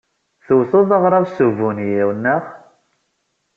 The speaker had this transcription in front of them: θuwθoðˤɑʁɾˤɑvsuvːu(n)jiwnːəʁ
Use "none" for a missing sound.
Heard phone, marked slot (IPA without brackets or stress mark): n